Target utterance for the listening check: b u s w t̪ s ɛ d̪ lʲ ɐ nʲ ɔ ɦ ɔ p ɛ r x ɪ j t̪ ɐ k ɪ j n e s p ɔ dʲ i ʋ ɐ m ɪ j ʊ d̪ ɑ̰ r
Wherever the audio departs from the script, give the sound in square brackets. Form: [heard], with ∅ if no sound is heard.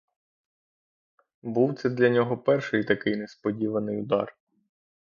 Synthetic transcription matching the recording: b u [∅] w t̪ s ɛ d̪ lʲ ɐ nʲ ɔ ɦ ɔ p ɛ r [ʃ] ɪ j t̪ ɐ k ɪ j n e s p ɔ dʲ i ʋ ɐ [n] ɪ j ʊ d̪ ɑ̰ r